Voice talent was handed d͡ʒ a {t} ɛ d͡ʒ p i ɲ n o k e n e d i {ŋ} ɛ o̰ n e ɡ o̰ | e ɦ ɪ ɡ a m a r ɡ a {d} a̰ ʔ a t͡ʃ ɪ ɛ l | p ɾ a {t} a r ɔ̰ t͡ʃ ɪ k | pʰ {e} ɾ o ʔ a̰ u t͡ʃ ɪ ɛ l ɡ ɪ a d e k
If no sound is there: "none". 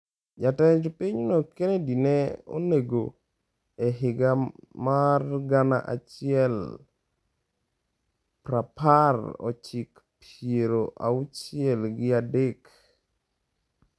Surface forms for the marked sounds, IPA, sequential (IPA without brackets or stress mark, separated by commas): t, n, n, p, e